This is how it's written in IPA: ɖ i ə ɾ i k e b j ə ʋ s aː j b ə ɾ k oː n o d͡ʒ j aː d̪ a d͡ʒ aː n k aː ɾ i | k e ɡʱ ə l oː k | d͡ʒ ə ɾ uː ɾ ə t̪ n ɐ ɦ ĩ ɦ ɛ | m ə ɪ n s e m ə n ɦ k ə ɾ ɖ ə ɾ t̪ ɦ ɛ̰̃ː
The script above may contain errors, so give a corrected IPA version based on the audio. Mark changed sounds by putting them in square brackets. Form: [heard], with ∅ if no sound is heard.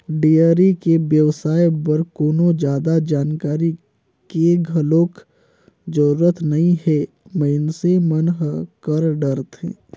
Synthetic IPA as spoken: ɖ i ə ɾ i k e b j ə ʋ s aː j b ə ɾ k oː n o d͡ʒ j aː d̪ a d͡ʒ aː n k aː ɾ i | k e ɡʱ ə l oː k | d͡ʒ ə ɾ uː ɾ ə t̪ n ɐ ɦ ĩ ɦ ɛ | m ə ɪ n s e m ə n ɦ k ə ɾ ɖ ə ɾ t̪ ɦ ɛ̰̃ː